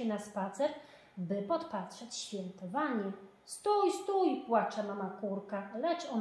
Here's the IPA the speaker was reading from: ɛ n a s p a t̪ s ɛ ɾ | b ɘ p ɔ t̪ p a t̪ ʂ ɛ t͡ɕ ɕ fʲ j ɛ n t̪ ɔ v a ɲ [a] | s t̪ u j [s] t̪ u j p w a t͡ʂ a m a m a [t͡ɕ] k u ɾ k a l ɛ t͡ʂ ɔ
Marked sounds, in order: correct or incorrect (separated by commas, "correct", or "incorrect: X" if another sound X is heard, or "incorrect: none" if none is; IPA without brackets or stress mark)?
incorrect: ɛ, correct, incorrect: none